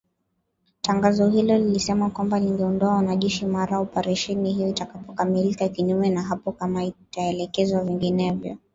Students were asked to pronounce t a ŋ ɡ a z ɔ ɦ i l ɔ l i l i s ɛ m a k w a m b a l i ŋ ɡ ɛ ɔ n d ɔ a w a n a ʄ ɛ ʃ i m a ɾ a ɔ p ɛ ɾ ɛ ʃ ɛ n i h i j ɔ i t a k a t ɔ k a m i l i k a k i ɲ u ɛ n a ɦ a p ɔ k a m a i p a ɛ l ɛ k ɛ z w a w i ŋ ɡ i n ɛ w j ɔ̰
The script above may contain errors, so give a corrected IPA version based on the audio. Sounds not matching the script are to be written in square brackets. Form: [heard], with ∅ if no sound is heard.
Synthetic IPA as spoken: t a ŋ ɡ a z ɔ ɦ i l ɔ l i l i s ɛ m a k w a m b a l i ŋ ɡ ɛ ɔ n d ɔ a w a n a ʄ ɛ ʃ i m a ɾ a ɔ p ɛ ɾ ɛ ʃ ɛ n i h i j ɔ i t a k a [p] ɔ k a m i l i k a k i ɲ u ɛ n a ɦ a p ɔ k a m a i [t] a ɛ l ɛ k ɛ z w a [v] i ŋ ɡ i n ɛ [v] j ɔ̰